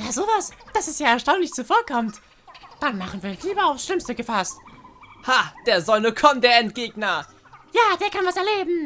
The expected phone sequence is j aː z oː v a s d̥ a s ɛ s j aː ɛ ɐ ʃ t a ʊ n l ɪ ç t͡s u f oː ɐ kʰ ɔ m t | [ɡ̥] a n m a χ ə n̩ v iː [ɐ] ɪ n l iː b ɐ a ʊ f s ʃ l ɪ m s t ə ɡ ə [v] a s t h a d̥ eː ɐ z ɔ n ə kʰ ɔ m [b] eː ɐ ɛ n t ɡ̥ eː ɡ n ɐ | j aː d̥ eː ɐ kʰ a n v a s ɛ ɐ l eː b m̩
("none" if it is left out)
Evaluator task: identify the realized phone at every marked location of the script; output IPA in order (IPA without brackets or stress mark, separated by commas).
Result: d̥, ɐ, f, d